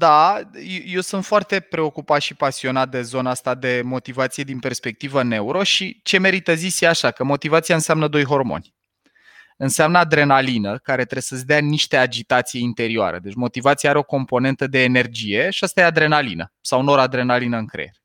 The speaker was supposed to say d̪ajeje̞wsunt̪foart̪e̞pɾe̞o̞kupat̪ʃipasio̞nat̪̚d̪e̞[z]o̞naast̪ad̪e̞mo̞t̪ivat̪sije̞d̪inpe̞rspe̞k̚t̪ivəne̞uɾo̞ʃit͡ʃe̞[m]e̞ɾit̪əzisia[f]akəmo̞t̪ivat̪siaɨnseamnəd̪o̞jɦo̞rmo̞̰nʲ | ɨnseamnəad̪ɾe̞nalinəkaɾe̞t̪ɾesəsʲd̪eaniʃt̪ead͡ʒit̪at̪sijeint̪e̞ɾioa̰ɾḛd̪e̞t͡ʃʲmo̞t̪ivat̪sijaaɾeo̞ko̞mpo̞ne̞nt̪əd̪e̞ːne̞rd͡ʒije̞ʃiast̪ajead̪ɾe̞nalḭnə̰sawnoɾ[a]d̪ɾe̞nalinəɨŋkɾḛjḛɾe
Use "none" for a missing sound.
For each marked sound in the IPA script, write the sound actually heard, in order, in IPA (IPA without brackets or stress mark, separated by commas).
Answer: z, m, ʃ, a